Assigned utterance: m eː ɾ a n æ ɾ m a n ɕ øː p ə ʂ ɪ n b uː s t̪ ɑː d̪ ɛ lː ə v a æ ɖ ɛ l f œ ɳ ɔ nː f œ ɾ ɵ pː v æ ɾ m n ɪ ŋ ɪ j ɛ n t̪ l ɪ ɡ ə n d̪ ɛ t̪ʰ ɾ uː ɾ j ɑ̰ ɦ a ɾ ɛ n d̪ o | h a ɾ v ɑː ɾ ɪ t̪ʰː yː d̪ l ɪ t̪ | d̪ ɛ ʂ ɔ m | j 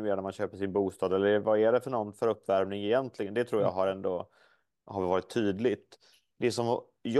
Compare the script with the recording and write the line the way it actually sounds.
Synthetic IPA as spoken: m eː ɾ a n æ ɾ m a n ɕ øː p ə ʂ ɪ n b uː s t̪ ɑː d̪ ɛ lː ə v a æ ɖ ɛ f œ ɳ ɔ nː f œ ɾ ɵ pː v æ ɾ m n ɪ ŋ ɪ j ɛ n t̪ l ɪ ɡ ə n d̪ ɛ t̪ʰ ɾ uː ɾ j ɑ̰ ɦ a ɾ ɛ n d̪ o | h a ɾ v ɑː ɾ ɪ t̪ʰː yː d̪ l ɪ t̪ | d̪ ɛ s ɔ m | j